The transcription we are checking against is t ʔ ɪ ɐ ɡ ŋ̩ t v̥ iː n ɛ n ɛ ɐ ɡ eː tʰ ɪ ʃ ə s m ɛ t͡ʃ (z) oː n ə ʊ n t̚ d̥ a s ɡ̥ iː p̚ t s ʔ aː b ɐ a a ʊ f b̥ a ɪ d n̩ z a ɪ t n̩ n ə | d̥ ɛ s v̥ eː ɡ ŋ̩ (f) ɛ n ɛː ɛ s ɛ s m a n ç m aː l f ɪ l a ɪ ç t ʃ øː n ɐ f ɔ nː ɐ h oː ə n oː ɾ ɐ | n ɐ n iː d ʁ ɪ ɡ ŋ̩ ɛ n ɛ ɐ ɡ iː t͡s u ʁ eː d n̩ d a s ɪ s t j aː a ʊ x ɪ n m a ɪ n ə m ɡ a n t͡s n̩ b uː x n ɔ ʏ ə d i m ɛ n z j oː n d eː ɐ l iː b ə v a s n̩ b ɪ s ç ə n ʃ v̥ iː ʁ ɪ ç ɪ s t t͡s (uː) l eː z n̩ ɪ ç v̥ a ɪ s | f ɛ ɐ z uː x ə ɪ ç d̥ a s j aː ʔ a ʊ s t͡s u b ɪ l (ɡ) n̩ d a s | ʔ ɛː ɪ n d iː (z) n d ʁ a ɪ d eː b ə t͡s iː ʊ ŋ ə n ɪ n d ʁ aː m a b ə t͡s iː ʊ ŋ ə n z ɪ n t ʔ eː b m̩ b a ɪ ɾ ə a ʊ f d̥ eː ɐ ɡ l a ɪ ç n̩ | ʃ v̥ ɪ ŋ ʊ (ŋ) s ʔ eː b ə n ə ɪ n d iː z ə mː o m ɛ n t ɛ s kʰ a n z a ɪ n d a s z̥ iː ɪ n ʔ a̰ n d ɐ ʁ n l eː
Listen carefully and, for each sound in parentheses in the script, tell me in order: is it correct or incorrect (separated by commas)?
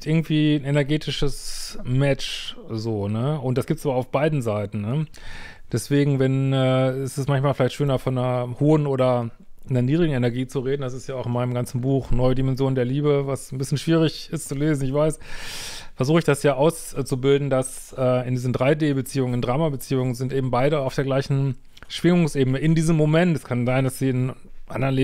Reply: correct, incorrect, incorrect, incorrect, correct, correct